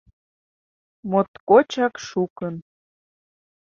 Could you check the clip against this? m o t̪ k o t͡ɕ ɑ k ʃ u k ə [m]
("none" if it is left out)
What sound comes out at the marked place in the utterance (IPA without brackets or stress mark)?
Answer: n